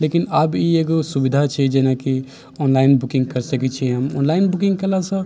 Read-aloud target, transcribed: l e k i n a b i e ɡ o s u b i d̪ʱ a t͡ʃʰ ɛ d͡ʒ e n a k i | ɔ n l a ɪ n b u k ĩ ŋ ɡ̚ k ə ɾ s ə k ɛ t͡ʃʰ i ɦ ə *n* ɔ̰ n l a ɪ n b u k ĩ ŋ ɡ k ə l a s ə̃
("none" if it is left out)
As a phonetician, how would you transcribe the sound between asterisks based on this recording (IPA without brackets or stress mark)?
m